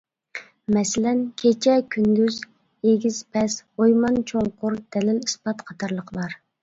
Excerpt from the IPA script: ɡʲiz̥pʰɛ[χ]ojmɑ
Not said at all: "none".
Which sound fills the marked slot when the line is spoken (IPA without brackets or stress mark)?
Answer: s